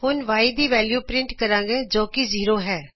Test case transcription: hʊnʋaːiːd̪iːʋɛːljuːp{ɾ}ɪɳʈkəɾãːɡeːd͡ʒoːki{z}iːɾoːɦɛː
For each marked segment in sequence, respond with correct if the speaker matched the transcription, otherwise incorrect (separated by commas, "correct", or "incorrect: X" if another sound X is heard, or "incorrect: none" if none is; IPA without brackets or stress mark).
correct, correct